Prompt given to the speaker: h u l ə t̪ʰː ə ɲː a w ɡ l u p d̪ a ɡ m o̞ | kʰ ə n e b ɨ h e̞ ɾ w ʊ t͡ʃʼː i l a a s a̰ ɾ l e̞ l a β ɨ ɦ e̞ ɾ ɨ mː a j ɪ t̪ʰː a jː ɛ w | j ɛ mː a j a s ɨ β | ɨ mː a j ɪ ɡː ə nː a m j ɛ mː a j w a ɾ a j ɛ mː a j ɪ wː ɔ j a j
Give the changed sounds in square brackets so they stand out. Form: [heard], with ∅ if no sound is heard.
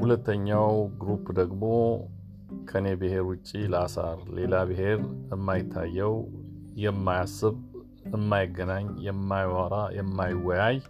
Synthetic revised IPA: h u l ə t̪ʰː ə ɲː a w ɡ [ɾ] u p d̪ [ə] ɡ m o̞ | kʰ ə n e b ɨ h e̞ ɾ w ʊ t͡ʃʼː i l [ə] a s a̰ ɾ l e̞ l a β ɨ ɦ e̞ ɾ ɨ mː a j ɪ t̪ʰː a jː ɛ w | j ɛ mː a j a s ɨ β | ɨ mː a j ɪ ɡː ə [n] a [ɲ] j ɛ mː a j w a ɾ a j ɛ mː a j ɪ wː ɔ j a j